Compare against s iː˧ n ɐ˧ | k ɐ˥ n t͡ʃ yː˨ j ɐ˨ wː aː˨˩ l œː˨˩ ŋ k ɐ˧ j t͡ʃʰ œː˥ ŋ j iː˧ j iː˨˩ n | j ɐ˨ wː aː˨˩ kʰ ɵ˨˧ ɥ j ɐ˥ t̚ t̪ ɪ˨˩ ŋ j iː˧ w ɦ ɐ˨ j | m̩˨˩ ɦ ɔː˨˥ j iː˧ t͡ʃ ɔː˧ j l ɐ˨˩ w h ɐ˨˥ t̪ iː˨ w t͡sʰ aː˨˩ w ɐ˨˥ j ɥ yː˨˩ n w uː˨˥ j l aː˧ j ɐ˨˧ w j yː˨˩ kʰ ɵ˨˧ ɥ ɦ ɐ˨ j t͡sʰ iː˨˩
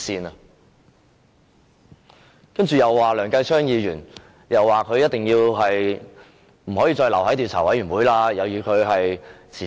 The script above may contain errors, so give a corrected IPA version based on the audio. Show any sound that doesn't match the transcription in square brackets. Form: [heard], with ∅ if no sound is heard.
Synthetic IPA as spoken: s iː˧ n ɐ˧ | k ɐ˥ n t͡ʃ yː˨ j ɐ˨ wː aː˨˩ l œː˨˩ ŋ k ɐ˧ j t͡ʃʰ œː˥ ŋ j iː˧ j [yː˨˩] n | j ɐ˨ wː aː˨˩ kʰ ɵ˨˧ ɥ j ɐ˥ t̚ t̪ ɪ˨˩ ŋ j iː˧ w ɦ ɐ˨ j | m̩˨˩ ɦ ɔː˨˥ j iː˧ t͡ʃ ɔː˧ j l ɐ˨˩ w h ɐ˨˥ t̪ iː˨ w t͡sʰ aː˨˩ w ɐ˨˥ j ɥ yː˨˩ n w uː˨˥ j l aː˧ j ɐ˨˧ w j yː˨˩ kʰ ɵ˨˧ ɥ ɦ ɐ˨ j t͡sʰ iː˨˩